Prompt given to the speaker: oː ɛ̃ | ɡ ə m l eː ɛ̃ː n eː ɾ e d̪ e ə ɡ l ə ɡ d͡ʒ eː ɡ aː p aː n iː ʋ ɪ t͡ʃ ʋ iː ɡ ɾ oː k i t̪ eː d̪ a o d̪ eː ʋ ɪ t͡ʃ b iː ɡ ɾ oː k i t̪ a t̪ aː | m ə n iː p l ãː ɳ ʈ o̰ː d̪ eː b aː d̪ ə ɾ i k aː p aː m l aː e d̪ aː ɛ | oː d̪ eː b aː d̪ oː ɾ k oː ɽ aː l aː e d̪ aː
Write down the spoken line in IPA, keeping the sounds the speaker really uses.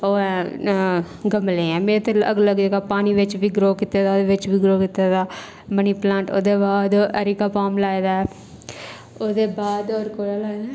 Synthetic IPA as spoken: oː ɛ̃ | ɡ ə m l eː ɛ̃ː m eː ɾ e t̪ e ə ɡ l ə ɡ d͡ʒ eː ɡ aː p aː n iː ʋ ɪ t͡ʃ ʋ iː ɡ ɾ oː k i t̪ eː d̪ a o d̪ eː ʋ ɪ t͡ʃ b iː ɡ ɾ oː k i t̪ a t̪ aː | m ə n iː p l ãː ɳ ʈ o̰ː d̪ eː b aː d̪ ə ɾ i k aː p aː m l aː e d̪ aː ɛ | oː d̪ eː b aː d̪ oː ɾ k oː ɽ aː l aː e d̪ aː